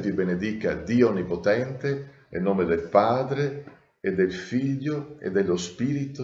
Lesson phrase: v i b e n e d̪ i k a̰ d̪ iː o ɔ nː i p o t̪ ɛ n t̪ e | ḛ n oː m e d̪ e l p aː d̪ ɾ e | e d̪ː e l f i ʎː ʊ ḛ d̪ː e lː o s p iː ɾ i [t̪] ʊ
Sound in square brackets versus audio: correct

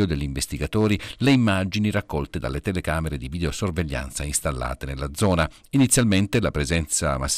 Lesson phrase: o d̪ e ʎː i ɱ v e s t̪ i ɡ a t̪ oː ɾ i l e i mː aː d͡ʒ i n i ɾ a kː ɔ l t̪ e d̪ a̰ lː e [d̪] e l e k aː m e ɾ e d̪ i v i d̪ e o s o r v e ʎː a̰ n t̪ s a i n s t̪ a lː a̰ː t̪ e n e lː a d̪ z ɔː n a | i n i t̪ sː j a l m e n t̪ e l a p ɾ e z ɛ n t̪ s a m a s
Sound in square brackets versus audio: incorrect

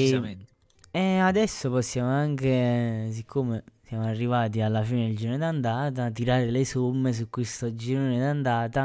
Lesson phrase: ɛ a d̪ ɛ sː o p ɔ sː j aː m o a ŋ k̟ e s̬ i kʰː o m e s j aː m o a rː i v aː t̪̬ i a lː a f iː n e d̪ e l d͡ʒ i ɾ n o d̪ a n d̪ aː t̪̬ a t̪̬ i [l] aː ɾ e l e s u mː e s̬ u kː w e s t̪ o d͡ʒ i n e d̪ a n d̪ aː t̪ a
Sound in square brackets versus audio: incorrect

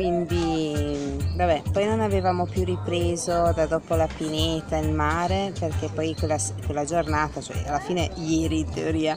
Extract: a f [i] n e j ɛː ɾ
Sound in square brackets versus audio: incorrect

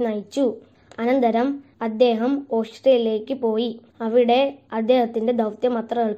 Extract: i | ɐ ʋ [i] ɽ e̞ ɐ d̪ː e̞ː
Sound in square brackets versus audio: correct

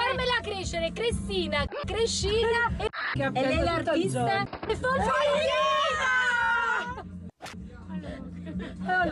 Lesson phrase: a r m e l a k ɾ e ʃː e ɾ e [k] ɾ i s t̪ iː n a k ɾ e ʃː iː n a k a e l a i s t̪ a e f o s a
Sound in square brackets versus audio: correct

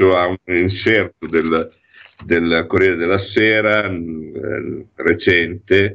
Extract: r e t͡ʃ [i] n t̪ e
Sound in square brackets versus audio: incorrect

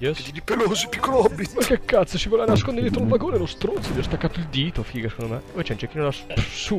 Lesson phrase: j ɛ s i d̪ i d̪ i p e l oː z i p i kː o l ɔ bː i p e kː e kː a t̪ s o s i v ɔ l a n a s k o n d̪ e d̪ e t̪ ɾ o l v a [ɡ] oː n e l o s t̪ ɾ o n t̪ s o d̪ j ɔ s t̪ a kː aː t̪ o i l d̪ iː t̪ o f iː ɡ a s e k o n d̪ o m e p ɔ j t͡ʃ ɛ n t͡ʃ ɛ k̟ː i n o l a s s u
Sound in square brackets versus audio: correct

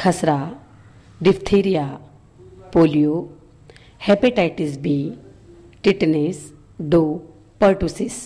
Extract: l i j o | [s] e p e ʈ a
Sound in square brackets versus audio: incorrect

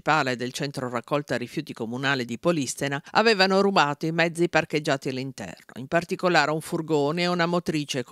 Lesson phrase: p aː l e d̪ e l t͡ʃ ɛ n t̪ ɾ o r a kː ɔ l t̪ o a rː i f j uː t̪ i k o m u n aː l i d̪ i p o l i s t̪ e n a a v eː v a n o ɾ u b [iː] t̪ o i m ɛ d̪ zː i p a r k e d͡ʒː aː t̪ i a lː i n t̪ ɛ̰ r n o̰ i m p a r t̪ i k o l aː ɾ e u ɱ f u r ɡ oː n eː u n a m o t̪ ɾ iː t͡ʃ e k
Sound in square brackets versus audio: incorrect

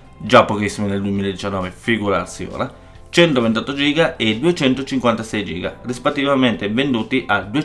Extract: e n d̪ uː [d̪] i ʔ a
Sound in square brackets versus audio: incorrect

